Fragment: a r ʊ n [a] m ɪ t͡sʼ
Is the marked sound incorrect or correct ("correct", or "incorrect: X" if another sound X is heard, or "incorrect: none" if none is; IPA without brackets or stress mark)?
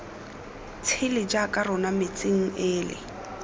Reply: correct